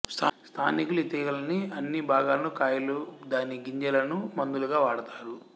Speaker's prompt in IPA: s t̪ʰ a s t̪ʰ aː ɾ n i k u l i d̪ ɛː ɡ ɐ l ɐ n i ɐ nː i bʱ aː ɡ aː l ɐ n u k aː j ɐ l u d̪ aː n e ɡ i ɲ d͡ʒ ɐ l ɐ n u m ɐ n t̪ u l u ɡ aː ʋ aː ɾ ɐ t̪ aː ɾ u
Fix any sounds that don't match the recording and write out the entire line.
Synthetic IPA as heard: s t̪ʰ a s t̪ʰ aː n i k u l i t̪ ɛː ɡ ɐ l ɐ n i ɐ nː i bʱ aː ɡ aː l ɐ n u k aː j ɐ l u d̪ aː n i ɡ i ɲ d͡ʒ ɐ l ɐ n u m ɐ n d̪ u l u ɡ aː ʋ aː ɽ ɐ t̪ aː ɾ u